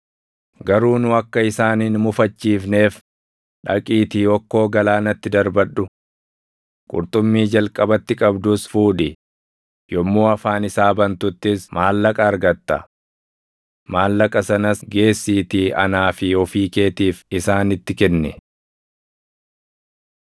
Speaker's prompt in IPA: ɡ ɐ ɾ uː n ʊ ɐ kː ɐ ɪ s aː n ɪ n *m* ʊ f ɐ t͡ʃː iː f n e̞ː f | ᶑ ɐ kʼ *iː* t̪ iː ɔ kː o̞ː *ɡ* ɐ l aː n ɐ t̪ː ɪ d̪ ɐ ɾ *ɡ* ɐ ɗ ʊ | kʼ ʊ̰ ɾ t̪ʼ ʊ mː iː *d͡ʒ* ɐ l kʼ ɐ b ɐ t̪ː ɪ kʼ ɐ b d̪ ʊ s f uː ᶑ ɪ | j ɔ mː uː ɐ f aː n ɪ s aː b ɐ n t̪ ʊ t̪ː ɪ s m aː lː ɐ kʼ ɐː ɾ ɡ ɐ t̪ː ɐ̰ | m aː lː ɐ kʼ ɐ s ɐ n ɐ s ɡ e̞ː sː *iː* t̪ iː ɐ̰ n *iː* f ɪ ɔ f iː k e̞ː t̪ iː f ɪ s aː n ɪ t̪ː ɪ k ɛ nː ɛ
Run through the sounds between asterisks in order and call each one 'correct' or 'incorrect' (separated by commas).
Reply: correct, correct, correct, incorrect, correct, correct, incorrect